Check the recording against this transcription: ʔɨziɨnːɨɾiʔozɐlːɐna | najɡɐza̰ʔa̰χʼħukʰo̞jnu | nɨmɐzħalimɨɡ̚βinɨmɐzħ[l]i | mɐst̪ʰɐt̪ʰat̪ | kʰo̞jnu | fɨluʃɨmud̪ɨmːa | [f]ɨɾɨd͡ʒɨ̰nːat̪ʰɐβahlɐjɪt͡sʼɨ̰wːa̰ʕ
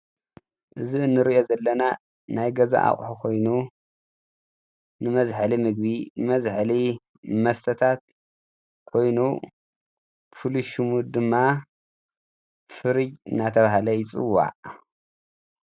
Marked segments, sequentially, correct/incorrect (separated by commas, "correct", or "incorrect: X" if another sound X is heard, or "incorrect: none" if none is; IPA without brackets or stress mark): correct, correct